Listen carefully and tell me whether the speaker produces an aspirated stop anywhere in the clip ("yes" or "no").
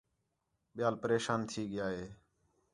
yes